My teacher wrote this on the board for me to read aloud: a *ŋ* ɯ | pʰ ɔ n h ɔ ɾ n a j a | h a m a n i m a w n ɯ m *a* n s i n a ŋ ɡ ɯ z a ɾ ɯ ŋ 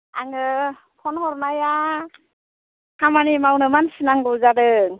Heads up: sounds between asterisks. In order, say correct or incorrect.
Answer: correct, correct

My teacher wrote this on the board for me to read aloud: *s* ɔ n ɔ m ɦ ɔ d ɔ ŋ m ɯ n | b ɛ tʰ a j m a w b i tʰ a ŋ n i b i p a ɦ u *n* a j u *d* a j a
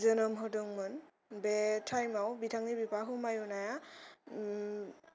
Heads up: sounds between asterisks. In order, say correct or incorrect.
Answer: incorrect, incorrect, incorrect

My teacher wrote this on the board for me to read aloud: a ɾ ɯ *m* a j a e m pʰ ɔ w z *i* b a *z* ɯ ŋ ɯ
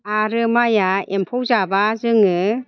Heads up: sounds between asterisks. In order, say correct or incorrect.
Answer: correct, incorrect, correct

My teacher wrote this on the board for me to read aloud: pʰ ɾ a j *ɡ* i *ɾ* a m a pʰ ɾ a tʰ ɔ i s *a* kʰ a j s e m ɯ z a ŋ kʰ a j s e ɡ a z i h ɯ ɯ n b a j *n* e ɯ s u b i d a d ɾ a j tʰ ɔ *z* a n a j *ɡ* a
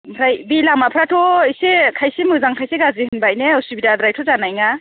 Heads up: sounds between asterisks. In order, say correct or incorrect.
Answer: incorrect, incorrect, incorrect, correct, correct, incorrect

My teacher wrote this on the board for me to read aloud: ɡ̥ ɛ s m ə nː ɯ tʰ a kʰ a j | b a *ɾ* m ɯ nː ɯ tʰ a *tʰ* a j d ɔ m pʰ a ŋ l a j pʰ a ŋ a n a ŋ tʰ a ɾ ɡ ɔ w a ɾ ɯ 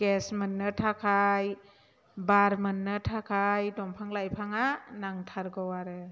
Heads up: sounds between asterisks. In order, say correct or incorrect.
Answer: correct, incorrect

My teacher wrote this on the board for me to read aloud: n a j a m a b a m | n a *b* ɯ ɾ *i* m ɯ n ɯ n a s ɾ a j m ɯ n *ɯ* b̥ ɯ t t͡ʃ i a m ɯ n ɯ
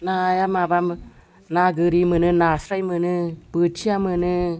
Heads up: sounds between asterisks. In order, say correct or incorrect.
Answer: incorrect, correct, correct

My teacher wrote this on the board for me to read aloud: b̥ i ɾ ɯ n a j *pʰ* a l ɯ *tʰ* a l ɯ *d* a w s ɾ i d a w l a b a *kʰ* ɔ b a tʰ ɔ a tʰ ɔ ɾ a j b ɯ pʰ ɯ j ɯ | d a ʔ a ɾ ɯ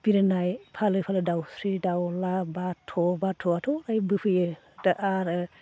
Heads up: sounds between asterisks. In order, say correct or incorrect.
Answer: correct, incorrect, correct, incorrect

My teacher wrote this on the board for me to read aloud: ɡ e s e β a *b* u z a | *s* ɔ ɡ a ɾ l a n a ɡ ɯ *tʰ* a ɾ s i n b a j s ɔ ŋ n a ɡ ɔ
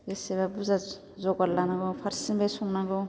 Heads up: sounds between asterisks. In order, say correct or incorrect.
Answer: correct, incorrect, incorrect

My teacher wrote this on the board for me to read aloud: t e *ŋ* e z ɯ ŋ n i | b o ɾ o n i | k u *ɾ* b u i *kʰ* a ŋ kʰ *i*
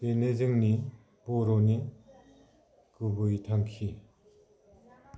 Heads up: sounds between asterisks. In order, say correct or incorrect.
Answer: incorrect, incorrect, incorrect, correct

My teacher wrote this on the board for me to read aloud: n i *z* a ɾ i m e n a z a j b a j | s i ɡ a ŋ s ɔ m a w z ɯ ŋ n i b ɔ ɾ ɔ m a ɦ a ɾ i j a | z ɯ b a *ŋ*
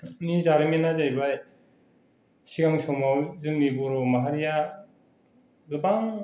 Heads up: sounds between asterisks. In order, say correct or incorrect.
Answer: correct, correct

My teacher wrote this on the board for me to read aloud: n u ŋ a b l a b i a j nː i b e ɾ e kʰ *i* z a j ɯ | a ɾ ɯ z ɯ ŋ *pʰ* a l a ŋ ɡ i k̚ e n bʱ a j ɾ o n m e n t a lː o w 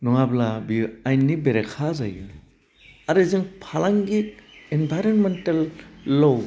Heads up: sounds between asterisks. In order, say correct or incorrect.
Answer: incorrect, correct

